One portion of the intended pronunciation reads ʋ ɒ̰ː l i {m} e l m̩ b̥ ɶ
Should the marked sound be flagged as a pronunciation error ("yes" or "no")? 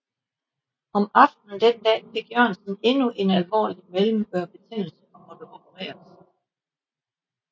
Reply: no